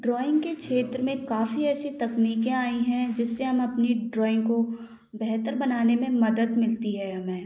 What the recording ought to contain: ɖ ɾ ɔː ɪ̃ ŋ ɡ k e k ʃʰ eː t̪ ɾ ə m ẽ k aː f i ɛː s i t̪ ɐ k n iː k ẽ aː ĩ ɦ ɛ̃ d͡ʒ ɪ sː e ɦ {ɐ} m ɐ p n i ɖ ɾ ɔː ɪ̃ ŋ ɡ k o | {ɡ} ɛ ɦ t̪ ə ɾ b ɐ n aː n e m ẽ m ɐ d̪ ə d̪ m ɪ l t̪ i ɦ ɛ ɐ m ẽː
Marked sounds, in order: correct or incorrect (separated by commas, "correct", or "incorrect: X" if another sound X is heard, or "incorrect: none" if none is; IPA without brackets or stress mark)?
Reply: correct, incorrect: b